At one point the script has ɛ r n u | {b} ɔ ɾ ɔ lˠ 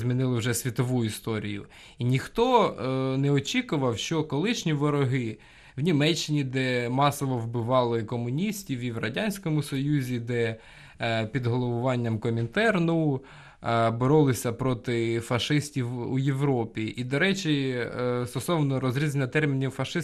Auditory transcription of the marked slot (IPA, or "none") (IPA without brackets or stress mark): b